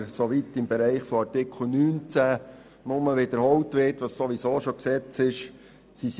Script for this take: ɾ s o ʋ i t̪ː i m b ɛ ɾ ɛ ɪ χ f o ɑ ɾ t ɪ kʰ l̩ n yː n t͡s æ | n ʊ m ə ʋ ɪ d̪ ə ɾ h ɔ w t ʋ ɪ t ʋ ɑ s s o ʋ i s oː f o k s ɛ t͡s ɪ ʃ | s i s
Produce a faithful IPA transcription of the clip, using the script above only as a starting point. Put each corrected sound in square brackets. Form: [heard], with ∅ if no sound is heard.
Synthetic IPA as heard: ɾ s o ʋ i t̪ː [ɪ] m b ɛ ɾ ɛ ɪ χ f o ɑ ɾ t ɪ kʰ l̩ n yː n t͡s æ | n ʊ m ə ʋ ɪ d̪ ə ɾ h ɔ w t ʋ ɪ t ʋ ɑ s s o ʋ i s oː [ʃ] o k s ɛ t͡s ɪ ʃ | s i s